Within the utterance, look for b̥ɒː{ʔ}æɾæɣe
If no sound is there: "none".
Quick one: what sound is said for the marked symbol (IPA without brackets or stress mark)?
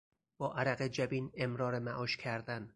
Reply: ʔ